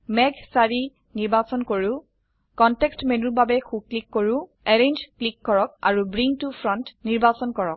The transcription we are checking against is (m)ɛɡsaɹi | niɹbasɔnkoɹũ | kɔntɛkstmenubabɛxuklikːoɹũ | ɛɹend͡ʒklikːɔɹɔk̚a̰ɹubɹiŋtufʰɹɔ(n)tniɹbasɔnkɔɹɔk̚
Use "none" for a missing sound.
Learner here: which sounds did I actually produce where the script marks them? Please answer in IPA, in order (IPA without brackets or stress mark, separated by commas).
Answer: m, n